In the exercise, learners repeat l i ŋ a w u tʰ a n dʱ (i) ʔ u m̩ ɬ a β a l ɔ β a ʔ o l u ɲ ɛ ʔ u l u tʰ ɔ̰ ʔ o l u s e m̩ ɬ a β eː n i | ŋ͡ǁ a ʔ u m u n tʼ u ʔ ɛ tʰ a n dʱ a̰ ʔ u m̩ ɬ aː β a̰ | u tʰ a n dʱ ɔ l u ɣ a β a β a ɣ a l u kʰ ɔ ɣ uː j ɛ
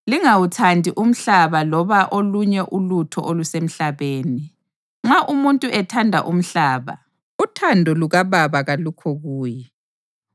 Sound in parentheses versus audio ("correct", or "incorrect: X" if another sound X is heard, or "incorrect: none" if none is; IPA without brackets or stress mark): correct